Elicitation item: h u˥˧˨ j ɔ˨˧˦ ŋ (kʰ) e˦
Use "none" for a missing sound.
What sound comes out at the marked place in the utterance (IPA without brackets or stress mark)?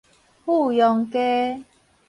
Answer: k